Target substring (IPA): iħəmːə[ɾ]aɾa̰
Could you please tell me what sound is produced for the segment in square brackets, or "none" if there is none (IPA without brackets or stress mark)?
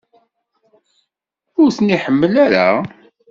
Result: l